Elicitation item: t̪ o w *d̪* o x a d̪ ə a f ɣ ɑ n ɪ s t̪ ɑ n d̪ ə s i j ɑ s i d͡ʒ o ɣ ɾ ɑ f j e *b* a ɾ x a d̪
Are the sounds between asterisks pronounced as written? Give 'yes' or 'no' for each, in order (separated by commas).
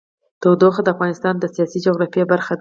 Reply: yes, yes